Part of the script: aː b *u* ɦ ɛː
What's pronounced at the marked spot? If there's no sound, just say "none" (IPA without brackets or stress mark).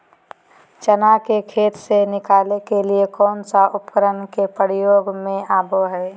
o